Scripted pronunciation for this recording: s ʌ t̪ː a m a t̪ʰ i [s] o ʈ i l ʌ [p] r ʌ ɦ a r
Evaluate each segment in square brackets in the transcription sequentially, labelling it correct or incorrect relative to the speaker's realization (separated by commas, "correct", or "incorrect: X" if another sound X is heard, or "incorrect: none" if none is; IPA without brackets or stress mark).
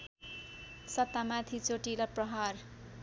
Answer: incorrect: t͡s, correct